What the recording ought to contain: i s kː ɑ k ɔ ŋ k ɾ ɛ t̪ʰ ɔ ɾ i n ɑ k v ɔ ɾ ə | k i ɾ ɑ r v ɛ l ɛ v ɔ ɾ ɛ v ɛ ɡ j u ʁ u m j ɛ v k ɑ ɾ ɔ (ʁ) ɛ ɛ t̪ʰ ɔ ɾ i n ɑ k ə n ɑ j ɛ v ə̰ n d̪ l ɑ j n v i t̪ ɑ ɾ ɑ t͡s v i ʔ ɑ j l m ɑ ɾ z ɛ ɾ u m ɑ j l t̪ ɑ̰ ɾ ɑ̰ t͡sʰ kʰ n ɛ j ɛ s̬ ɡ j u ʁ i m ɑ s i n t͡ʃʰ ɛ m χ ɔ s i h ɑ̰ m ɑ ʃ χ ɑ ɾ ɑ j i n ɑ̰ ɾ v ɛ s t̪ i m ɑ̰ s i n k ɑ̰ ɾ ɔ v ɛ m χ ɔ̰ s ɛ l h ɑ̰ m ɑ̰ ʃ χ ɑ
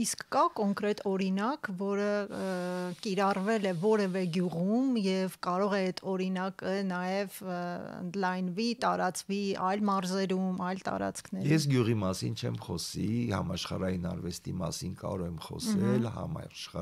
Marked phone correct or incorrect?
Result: correct